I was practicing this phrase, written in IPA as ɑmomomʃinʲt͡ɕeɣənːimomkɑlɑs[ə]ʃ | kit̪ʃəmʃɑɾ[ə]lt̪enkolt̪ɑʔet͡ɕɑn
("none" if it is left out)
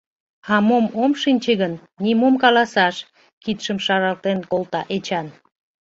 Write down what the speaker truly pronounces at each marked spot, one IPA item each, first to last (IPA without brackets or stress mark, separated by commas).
ɑ, ɑ